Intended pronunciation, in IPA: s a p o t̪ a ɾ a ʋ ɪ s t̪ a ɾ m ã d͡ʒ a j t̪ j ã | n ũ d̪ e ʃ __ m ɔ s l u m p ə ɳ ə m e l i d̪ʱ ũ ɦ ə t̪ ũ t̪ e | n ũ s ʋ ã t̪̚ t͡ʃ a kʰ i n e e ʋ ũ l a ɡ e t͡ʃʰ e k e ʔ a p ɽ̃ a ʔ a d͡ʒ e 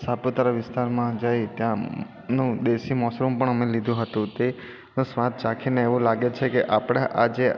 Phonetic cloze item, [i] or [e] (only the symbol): i